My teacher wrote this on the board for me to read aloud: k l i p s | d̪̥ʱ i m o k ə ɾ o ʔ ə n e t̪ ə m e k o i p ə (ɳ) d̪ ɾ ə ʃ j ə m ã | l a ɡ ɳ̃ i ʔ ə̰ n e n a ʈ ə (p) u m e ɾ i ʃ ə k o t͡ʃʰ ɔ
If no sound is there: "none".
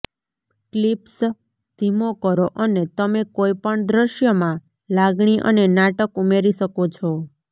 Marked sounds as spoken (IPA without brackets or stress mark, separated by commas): ɳ, k